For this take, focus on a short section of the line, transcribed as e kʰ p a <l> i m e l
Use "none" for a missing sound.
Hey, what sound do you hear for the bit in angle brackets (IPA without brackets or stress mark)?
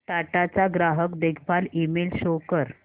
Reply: l